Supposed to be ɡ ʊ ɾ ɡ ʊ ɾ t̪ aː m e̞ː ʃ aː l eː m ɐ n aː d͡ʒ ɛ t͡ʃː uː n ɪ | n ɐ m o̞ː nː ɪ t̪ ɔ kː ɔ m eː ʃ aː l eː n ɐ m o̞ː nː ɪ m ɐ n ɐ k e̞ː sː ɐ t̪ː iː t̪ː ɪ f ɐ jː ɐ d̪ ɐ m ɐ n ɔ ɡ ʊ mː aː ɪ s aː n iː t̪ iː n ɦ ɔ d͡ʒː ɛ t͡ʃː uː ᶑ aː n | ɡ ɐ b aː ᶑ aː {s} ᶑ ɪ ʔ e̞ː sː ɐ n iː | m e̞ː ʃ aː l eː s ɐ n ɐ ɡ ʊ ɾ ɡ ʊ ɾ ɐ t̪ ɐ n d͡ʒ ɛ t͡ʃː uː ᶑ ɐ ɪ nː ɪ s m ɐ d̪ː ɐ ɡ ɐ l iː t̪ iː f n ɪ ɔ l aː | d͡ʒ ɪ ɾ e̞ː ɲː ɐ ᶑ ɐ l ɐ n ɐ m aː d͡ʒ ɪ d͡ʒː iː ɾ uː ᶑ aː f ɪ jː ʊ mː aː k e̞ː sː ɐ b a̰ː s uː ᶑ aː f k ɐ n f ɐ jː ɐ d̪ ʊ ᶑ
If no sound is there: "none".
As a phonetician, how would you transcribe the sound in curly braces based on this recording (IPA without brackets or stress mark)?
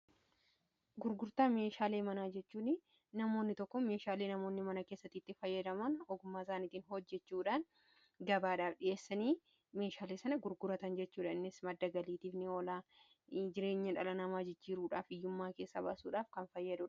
f